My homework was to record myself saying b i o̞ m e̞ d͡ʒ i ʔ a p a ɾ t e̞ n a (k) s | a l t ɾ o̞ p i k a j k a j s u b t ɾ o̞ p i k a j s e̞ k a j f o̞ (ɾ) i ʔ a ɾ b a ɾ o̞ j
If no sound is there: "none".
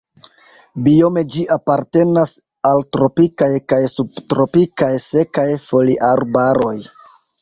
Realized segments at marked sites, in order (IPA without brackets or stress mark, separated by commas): none, l